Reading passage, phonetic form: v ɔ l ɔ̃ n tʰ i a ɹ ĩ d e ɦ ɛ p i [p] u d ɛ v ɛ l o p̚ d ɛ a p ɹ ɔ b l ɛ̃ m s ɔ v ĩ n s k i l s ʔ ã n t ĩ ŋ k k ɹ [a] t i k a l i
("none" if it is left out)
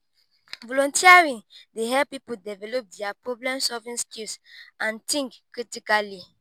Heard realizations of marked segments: p, i

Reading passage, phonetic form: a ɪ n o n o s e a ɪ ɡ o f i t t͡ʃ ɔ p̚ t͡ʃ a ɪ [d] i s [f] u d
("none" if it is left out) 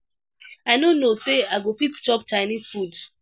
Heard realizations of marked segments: n, f

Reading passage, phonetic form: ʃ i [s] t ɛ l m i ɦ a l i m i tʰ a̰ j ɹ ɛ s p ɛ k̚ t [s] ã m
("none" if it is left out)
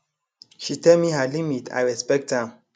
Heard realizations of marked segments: none, h

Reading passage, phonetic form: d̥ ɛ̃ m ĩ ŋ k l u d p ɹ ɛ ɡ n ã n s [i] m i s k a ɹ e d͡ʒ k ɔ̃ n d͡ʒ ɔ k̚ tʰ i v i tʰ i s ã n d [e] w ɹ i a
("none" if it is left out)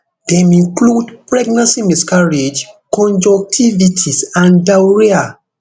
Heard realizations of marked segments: i, a

